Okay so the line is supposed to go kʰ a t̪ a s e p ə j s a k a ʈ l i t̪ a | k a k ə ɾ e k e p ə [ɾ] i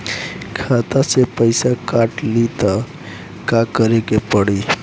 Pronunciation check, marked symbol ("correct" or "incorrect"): incorrect